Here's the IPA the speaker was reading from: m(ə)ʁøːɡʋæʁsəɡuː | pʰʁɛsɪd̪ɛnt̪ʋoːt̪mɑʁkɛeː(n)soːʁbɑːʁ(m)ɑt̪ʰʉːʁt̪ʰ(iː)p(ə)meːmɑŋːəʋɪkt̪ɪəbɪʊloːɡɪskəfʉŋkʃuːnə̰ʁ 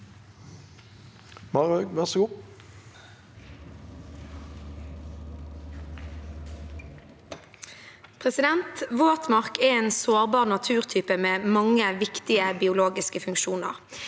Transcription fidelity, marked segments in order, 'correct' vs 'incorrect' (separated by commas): incorrect, correct, incorrect, incorrect, correct